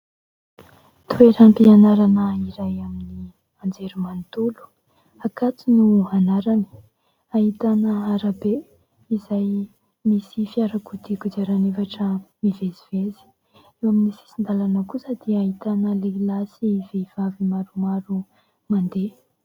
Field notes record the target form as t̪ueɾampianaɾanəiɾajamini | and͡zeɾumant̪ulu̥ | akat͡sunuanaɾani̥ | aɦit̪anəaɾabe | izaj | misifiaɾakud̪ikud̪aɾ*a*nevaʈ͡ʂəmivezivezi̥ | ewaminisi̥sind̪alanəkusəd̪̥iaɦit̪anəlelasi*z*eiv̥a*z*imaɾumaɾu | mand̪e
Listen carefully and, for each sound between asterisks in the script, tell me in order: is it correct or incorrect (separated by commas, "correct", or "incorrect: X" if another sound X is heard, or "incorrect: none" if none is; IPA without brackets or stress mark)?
correct, incorrect: v, incorrect: v